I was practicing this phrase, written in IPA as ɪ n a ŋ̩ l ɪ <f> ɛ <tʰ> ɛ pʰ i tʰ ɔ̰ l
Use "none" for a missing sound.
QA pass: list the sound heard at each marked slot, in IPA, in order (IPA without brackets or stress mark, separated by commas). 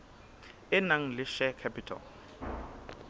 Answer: ʃ, kʰ